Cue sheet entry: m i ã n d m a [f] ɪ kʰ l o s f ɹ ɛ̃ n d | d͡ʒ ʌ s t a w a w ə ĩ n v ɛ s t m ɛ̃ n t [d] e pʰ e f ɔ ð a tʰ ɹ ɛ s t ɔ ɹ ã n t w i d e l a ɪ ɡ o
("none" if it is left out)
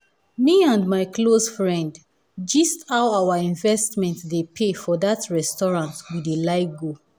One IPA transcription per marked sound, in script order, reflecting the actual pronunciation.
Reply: none, d

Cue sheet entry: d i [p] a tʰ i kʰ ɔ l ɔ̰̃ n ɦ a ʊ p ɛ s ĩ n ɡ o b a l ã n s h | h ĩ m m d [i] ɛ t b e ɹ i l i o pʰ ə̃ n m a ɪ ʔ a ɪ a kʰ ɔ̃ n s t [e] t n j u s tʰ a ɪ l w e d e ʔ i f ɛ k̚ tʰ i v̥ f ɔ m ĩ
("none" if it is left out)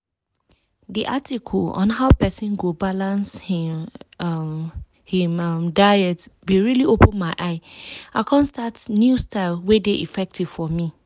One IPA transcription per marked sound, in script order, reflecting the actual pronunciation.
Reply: ʔ, a, a

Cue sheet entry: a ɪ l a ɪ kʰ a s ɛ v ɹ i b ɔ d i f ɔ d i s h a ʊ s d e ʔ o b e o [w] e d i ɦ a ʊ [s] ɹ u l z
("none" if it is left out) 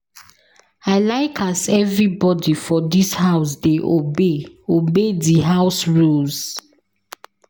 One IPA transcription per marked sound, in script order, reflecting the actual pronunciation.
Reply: b, s

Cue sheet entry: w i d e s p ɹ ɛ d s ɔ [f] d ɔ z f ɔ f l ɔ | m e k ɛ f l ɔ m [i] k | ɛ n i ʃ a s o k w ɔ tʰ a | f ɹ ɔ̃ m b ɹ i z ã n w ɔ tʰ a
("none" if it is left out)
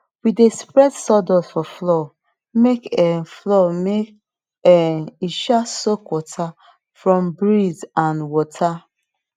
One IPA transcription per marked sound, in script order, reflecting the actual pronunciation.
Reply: none, e

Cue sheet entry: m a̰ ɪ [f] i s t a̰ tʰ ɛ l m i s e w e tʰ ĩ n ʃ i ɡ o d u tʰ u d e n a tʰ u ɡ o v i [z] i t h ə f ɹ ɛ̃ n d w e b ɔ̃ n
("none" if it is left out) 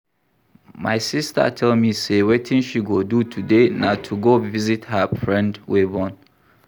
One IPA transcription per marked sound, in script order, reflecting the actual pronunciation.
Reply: s, z

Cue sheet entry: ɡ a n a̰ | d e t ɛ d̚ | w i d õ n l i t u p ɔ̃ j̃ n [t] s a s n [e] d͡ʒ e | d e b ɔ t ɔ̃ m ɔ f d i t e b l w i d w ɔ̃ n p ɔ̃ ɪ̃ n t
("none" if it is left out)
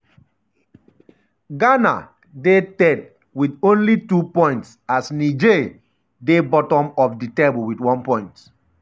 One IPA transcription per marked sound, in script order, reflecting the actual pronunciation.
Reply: t, i

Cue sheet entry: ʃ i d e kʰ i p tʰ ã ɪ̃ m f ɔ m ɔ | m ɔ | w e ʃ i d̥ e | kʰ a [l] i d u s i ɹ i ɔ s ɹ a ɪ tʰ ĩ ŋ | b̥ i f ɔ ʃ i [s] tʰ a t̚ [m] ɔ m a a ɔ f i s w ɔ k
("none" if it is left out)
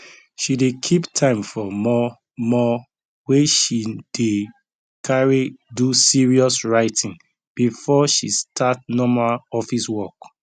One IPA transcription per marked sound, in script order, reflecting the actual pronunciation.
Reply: ɹ, s, n

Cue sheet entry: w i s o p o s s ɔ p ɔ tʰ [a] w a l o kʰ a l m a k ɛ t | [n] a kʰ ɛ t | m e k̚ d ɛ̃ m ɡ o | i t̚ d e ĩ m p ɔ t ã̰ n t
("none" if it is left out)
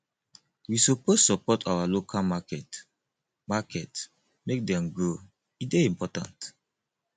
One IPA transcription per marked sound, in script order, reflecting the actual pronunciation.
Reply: a, m

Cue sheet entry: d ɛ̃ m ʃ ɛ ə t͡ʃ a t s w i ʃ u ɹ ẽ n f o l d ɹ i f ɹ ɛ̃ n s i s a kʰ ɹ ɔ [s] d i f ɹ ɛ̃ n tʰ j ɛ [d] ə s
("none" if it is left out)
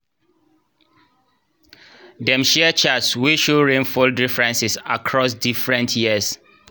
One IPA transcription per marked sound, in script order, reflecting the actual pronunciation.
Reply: s, none

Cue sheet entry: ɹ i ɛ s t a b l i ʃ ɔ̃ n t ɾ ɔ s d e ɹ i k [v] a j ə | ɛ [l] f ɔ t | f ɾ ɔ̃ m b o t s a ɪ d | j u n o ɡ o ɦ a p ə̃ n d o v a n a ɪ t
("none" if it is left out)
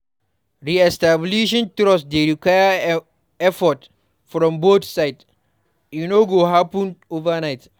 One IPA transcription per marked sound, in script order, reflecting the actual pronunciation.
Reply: w, none

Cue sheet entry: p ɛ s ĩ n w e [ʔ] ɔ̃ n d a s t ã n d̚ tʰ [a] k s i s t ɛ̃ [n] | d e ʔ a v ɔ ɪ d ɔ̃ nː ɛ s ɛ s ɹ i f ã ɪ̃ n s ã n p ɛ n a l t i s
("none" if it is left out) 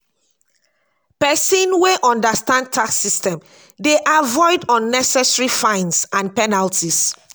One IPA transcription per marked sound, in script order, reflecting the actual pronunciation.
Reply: ʔ, a, m

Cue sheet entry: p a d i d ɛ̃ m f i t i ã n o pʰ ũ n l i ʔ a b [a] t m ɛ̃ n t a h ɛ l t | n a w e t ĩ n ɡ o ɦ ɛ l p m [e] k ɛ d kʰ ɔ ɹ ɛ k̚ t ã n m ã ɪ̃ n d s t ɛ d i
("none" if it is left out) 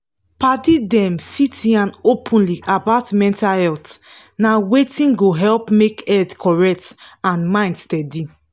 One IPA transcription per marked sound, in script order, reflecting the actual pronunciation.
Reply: a, e

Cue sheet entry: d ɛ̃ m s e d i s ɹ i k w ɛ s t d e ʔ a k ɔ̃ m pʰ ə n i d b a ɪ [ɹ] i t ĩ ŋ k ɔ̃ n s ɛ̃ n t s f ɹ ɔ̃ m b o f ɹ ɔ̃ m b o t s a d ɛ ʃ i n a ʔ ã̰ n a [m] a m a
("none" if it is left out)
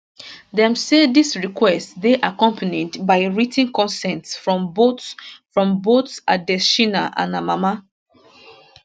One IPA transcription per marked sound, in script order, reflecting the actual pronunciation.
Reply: ɹ, m

